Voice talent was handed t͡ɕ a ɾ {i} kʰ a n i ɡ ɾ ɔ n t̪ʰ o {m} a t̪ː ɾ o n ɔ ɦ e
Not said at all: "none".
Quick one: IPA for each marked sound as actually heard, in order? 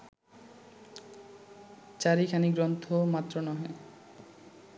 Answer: i, m

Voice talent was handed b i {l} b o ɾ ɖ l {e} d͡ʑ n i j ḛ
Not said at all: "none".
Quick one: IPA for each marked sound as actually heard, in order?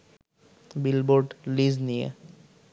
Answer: l, i

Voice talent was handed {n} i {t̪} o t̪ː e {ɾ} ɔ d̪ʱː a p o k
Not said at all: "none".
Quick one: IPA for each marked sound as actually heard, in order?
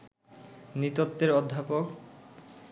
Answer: n, t̪, ɾ

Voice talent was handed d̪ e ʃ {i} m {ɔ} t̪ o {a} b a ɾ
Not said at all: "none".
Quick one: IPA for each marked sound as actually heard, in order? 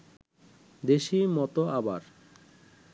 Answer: i, ɔ, a

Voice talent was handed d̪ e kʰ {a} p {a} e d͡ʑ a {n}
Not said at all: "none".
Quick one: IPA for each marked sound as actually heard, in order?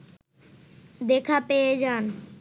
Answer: a, e, n

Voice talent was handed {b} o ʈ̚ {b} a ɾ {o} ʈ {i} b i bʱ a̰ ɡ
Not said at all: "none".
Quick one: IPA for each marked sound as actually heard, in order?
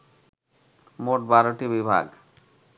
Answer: m, b, o, i

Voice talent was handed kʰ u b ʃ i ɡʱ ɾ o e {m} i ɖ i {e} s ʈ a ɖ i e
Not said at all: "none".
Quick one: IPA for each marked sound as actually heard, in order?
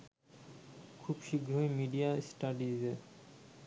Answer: m, a

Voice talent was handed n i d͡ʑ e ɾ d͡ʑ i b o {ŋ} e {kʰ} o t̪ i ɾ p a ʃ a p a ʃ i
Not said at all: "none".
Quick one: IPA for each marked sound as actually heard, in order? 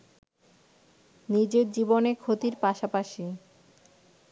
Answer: n, kʰ

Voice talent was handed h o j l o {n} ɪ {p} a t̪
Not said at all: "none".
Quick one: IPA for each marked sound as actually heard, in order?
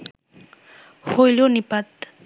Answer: n, p

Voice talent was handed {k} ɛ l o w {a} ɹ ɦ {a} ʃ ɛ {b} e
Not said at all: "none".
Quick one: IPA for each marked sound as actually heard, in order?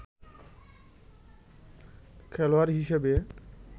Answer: kʰ, a, i, b

